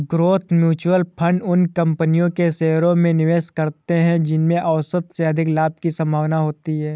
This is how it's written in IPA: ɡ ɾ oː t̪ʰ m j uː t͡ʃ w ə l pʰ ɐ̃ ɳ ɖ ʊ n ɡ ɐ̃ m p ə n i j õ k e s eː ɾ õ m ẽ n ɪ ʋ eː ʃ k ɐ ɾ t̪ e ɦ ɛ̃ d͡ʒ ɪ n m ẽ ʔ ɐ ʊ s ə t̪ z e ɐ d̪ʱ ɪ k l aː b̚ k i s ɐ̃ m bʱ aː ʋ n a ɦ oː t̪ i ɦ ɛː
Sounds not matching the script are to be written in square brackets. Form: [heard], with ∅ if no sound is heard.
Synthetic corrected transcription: ɡ ɾ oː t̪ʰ m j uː t͡ʃ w ə l pʰ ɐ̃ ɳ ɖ ʊ n [k] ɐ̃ m p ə n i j õ k e s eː ɾ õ m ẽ n ɪ ʋ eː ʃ k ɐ ɾ t̪ e ɦ ɛ̃ d͡ʒ ɪ n m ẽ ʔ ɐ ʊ s ə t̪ [s] e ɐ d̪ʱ ɪ k l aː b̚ k i s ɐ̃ m bʱ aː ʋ n a ɦ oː t̪ i ɦ ɛː